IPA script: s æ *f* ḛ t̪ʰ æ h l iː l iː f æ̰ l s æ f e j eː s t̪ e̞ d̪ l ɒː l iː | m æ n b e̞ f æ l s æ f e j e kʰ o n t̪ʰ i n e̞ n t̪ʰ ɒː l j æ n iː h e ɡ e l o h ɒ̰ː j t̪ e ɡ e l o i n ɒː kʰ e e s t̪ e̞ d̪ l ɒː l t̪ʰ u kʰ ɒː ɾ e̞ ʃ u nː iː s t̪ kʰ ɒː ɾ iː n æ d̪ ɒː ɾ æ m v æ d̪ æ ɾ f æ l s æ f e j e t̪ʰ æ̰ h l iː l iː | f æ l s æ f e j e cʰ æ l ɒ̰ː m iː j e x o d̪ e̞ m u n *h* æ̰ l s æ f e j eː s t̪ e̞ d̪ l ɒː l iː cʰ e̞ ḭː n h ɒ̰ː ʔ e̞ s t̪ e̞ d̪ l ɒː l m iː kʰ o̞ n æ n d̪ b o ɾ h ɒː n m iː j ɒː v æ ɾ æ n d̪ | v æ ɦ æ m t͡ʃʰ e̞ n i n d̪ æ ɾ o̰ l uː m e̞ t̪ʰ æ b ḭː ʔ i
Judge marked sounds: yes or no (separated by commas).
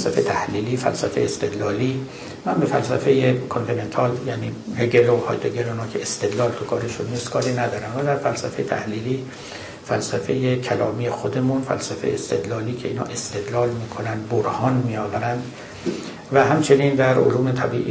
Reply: yes, no